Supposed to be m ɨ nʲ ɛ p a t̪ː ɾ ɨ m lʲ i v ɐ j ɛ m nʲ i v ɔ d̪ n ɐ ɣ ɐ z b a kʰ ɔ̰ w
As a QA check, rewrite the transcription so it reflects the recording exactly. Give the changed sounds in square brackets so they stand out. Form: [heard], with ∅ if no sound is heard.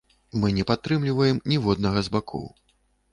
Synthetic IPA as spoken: m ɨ nʲ ɛ p a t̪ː ɾ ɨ m lʲ i v ɐ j ɛ m nʲ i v ɔ d̪ n ɐ ɣ ɐ z b a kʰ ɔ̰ w